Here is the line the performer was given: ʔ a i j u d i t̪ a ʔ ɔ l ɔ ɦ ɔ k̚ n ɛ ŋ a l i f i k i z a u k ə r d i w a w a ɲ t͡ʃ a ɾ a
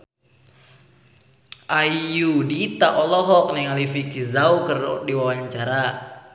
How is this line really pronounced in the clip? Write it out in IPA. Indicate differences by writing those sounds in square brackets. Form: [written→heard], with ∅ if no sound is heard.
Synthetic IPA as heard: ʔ a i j u d i t̪ a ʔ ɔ l ɔ ɦ ɔ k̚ n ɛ ŋ a l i f i k i z a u k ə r d i w a w a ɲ t͡ʃ a ɾ a